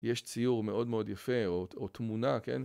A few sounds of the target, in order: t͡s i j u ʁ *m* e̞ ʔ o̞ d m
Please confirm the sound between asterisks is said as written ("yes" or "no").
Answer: yes